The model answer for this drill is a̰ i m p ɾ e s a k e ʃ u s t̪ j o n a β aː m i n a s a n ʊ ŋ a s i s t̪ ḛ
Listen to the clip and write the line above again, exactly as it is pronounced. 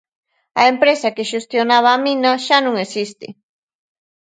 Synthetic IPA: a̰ e m p ɾ e s a k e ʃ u s t̪ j o n a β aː m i n a ʃ a n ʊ ŋ e s i s t̪ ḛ